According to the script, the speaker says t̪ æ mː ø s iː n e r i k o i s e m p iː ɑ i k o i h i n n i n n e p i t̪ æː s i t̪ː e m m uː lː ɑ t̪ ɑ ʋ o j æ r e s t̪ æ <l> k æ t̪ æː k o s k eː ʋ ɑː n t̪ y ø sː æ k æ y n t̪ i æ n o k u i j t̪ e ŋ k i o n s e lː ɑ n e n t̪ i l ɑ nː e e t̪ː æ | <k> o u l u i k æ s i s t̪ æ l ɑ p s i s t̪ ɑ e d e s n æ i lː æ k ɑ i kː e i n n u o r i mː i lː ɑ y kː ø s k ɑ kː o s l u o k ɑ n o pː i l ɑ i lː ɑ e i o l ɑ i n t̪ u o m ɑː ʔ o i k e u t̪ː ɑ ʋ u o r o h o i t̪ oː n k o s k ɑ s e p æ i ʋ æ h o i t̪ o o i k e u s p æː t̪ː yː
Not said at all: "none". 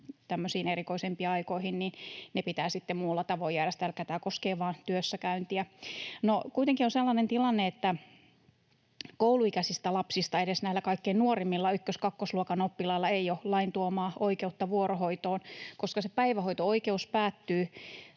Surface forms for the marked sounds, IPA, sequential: l, k

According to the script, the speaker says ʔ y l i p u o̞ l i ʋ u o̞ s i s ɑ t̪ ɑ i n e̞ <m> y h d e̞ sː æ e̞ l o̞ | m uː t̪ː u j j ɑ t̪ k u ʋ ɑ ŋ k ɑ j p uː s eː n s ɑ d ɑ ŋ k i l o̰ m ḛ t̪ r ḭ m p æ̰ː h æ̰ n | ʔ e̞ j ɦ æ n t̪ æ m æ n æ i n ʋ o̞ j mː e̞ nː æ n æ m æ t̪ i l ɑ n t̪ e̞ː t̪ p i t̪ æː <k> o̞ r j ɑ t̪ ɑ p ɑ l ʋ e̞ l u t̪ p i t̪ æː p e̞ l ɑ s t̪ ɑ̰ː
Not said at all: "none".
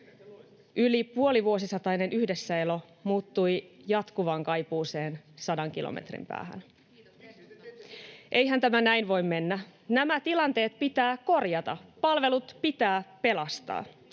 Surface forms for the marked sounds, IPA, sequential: n, k

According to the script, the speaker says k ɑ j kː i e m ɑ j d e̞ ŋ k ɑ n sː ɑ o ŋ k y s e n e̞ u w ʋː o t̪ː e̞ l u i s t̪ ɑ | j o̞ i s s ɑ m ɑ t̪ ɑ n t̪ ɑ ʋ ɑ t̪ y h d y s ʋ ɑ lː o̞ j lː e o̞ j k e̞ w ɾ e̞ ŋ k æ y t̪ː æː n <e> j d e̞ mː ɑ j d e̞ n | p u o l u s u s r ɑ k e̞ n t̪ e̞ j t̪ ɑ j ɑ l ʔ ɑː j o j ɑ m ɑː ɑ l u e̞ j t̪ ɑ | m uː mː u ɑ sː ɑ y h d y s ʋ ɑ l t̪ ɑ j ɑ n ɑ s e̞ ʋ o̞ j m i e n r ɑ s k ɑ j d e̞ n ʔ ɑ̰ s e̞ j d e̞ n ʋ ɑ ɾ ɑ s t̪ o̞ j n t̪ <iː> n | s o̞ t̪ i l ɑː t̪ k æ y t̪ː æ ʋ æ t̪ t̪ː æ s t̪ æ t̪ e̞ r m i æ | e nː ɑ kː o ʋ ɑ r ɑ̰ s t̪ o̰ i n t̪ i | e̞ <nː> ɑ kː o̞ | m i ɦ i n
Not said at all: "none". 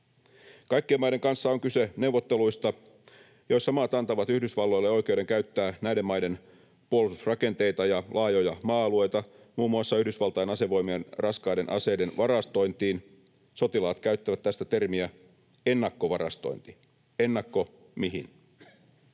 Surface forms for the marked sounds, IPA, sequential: æ, iː, nː

